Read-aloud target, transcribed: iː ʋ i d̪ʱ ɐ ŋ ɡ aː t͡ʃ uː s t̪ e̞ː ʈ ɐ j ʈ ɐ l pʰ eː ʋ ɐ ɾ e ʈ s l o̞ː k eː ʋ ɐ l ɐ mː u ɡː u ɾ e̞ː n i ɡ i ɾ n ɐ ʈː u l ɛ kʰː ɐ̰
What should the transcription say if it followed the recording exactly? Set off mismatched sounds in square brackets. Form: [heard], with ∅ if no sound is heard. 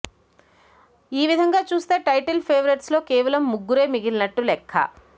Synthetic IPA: iː ʋ i d̪ʱ ɐ ŋ ɡ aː t͡ʃ uː s t̪ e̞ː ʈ ɐ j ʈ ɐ l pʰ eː ʋ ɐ ɾ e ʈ s l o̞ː k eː ʋ ɐ l ɐ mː u ɡː u ɾ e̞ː [m] i ɡ i [l] n ɐ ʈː u l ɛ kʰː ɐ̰